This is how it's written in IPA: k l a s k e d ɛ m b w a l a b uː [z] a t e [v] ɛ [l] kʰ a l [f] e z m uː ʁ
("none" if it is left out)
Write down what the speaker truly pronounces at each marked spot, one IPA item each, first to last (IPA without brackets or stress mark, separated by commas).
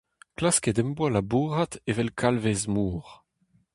ʁ, v, l, v